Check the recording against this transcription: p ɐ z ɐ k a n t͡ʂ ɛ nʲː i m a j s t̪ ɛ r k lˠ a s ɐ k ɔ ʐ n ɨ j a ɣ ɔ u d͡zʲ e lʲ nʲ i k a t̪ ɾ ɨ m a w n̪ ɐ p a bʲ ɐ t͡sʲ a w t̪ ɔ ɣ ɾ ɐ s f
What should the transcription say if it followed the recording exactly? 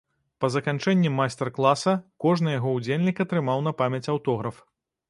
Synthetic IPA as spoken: p ɐ z ɐ k a n t͡ʂ ɛ nʲː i m a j s t̪ ɛ r k lˠ a s ɐ k ɔ ʐ n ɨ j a ɣ ɔ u d͡zʲ e lʲ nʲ i k ɐ t̪ ɾ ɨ m a w n̪ ɐ p a mʲ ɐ t͡sʲ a w t̪ ɔ ɣ ɾ ɐ f